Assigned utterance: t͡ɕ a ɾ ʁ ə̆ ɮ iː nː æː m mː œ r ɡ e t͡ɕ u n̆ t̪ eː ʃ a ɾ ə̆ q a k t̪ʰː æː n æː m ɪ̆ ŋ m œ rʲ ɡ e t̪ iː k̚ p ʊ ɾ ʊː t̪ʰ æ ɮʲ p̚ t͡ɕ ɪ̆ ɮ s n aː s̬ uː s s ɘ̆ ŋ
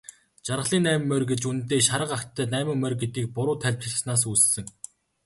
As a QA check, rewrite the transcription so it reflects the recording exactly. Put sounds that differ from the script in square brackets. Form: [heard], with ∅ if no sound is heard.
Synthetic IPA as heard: t͡ɕ a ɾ ʁ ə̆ ɮ iː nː æː m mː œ r ɡ e t͡ɕ u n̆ t̪ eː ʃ a ɾ ə̆ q a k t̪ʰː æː n æː m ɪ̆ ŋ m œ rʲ ɡ e t̪ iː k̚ p ʊ ɾ ʊː t̪ʰ æ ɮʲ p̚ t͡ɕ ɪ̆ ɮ s n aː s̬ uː s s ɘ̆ ŋ